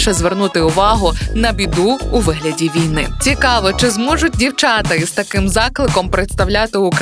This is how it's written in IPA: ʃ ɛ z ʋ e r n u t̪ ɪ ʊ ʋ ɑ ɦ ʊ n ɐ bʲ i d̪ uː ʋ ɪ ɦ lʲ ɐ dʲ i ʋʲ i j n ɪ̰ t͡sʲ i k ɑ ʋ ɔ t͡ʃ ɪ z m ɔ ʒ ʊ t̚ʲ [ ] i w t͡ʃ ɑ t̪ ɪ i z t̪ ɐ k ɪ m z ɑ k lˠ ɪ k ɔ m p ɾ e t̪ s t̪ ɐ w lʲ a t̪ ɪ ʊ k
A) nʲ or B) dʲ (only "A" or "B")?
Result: B